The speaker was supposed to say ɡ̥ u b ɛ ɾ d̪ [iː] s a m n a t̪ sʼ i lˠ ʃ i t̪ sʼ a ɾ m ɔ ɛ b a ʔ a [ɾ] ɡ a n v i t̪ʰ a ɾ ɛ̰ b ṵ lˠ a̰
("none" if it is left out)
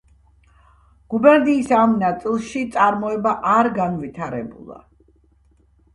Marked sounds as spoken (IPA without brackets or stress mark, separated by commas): iː, ɾ